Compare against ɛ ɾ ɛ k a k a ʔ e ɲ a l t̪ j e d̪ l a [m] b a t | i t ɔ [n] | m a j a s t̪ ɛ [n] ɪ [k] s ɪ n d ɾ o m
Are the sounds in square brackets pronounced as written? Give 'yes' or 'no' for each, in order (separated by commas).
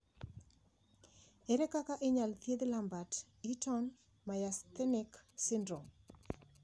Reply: yes, yes, yes, yes